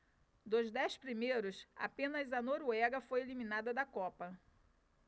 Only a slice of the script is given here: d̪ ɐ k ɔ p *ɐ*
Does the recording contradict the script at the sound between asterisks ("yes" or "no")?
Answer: no